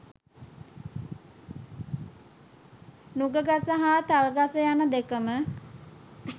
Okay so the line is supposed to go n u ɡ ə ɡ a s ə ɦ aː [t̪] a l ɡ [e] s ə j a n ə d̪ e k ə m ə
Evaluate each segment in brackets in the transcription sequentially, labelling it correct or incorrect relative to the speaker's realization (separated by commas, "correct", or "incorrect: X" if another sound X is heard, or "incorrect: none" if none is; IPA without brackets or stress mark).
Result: correct, incorrect: a